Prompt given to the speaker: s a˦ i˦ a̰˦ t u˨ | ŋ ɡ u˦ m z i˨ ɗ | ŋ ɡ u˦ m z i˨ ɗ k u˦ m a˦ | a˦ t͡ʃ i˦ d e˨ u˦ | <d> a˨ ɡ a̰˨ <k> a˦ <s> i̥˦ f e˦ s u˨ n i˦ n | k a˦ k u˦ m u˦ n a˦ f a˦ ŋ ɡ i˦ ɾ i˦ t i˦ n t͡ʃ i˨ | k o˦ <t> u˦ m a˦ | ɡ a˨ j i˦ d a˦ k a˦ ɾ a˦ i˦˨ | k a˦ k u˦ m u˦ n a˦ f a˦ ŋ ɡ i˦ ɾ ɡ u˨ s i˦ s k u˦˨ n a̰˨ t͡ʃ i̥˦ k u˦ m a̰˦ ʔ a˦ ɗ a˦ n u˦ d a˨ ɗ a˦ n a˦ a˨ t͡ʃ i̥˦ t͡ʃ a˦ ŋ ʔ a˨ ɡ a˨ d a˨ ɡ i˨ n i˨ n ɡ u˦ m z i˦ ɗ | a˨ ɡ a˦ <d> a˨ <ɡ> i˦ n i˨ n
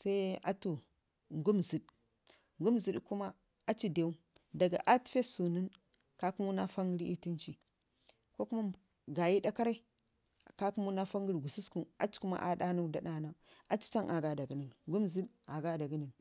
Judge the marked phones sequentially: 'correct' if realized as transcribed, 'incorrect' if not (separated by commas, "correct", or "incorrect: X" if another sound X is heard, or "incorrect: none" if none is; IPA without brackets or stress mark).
correct, incorrect: ʔ, incorrect: t, incorrect: k, correct, correct